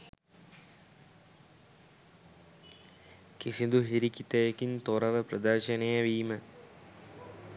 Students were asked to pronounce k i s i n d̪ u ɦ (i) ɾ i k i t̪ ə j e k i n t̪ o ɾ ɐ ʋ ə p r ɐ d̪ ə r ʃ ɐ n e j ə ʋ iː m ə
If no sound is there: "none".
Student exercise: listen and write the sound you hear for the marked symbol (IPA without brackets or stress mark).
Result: i